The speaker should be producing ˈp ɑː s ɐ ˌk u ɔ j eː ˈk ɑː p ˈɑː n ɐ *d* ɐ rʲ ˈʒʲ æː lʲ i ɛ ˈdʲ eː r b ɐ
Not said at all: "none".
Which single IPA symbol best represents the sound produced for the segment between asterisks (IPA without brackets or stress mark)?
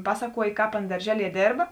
d